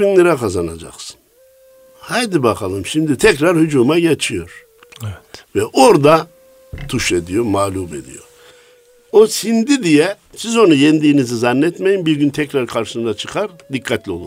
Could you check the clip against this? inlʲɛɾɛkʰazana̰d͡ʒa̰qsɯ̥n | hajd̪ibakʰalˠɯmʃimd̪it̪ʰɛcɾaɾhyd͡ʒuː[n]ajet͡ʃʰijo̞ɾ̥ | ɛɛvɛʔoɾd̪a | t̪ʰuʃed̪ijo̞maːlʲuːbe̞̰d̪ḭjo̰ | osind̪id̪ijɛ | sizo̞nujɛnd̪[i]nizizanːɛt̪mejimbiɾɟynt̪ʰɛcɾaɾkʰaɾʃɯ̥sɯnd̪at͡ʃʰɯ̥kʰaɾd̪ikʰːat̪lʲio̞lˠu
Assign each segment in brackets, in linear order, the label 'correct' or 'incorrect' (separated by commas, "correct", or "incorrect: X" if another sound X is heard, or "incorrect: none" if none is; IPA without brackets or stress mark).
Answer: incorrect: m, incorrect: iː